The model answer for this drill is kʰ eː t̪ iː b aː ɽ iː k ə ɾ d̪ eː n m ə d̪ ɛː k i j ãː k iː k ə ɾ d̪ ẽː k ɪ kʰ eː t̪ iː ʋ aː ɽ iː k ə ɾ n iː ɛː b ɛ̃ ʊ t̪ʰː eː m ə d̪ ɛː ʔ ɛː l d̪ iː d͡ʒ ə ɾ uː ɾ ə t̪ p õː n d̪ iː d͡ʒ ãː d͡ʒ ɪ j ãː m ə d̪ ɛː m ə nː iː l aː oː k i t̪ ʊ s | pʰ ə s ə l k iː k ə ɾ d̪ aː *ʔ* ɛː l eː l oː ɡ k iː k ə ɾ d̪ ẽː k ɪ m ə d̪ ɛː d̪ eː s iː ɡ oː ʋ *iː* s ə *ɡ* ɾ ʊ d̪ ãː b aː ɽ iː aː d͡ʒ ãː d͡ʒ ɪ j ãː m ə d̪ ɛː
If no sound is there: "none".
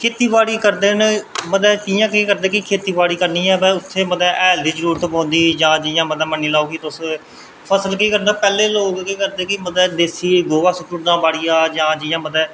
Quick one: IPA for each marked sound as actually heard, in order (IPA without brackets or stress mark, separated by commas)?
p, aː, k